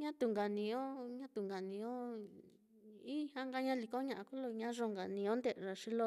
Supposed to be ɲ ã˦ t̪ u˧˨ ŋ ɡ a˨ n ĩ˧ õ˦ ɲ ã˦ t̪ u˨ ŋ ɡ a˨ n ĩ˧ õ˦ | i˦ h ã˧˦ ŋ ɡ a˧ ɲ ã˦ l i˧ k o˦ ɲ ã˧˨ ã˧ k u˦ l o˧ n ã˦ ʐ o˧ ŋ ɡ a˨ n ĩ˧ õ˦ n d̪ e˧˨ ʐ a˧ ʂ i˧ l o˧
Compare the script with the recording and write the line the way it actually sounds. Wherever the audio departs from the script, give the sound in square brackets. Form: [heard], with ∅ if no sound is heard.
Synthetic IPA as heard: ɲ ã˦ t̪ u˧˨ ŋ ɡ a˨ n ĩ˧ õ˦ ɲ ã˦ t̪ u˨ ŋ ɡ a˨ n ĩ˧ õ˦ | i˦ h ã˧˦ ŋ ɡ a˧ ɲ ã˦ l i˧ k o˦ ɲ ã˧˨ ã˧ k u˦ l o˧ [ɲ] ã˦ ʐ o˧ ŋ ɡ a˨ n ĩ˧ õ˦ n d̪ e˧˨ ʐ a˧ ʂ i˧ l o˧

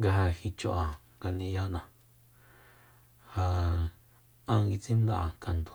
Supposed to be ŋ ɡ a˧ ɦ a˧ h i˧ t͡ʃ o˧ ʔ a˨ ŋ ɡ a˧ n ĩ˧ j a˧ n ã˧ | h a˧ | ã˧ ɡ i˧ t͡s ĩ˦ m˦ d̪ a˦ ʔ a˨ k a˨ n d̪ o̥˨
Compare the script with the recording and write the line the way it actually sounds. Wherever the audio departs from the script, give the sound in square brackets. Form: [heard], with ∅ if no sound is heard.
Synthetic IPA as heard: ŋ ɡ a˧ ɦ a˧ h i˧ t͡ʃ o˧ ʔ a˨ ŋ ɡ a˧ n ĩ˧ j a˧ n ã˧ | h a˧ | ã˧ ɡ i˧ t͡s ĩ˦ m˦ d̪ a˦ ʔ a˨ k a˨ n d̪ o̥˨

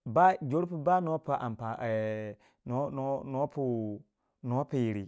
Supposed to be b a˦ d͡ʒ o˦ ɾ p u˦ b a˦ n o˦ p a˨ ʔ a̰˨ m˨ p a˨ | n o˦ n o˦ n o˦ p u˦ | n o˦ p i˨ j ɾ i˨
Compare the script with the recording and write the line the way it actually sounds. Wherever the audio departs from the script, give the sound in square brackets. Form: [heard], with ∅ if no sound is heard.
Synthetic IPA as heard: b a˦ d͡ʒ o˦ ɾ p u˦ b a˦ n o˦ p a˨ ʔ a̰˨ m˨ p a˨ | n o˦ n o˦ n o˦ p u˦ | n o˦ p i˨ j ɾ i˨

